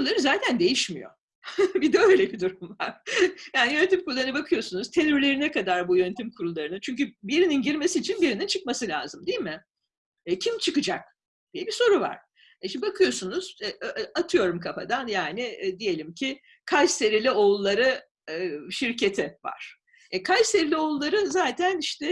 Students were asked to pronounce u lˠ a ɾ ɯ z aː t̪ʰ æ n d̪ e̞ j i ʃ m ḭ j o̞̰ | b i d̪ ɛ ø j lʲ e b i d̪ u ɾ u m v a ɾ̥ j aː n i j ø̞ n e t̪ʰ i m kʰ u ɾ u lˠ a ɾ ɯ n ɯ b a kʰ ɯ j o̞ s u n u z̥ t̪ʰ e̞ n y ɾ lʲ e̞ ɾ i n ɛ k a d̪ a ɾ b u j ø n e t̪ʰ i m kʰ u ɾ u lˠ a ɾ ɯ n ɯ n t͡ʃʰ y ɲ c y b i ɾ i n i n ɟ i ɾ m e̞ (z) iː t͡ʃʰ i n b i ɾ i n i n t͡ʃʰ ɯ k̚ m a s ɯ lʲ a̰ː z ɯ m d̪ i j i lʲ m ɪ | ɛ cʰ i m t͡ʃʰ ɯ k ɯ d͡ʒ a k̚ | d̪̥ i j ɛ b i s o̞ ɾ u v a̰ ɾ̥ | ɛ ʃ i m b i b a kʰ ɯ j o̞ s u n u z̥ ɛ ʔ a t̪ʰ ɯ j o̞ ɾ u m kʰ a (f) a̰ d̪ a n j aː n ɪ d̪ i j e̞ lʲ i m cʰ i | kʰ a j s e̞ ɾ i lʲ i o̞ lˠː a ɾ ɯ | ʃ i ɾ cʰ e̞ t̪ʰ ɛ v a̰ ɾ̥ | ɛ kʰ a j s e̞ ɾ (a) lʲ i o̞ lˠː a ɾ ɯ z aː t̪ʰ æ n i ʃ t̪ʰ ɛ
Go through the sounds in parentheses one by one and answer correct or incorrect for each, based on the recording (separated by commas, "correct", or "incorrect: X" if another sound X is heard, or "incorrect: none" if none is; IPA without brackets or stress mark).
incorrect: s, correct, incorrect: i